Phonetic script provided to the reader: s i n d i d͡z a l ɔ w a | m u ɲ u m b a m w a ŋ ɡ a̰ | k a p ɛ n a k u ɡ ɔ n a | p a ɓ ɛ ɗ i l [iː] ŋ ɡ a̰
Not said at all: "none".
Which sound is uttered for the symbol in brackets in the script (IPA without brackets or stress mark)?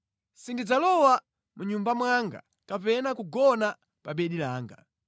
aː